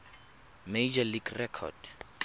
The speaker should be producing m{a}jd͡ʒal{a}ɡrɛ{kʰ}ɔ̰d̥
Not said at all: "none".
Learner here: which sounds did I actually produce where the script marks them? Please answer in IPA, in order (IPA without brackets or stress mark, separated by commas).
e, i, kʰ